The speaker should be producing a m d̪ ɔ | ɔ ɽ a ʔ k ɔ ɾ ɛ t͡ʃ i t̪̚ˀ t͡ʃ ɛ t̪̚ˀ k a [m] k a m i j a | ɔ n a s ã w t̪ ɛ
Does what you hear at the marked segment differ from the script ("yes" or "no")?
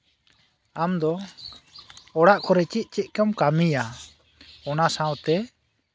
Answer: no